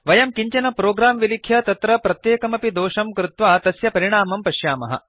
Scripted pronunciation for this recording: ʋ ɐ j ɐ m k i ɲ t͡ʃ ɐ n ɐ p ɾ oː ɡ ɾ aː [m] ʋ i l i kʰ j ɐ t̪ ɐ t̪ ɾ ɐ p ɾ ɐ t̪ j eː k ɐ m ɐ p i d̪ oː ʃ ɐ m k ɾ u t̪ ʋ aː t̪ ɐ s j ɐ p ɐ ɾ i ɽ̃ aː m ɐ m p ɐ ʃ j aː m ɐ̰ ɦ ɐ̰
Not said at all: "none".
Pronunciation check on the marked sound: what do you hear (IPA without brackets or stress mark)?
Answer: m